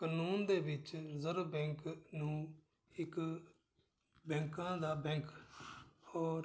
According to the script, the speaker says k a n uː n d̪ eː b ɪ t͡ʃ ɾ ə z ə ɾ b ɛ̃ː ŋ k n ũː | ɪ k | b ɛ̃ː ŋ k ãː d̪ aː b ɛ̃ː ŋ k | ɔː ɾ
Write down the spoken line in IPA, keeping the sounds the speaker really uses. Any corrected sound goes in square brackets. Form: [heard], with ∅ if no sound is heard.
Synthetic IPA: k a n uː n d̪ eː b ɪ t͡ʃ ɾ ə z ə ɾ b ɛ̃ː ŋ k n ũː | ɪ k | b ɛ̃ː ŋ k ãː d̪ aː b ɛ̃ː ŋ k | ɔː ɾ